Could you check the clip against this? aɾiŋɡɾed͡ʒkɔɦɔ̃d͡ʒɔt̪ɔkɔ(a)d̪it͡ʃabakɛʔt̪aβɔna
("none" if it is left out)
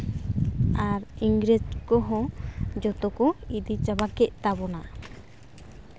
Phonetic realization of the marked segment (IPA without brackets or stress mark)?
i